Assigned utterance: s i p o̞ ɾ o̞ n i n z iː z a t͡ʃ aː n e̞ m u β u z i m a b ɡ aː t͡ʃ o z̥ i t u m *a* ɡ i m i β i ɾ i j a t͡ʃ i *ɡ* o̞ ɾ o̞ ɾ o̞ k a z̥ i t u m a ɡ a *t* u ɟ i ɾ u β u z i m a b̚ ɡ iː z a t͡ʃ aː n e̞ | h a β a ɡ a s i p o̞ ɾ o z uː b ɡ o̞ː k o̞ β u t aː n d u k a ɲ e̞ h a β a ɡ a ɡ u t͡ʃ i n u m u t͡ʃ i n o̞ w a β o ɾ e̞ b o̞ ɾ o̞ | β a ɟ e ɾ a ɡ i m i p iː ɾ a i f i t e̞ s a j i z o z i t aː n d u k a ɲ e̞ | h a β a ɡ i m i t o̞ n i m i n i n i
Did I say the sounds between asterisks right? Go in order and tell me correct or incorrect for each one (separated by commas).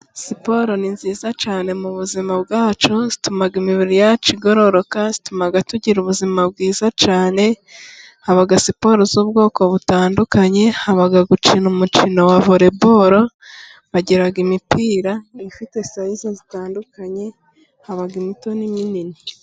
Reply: correct, correct, correct